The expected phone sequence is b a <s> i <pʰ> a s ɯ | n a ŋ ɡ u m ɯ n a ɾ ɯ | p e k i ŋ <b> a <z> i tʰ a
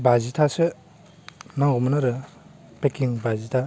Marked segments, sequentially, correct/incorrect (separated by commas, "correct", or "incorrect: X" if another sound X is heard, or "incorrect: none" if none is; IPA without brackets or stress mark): incorrect: z, incorrect: tʰ, correct, correct